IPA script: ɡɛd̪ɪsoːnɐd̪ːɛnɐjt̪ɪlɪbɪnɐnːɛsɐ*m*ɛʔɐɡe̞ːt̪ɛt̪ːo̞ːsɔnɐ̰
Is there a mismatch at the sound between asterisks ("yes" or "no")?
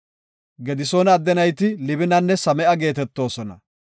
no